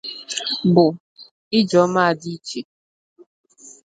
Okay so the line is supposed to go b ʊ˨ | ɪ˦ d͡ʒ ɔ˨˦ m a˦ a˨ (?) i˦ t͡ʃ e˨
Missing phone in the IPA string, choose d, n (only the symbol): d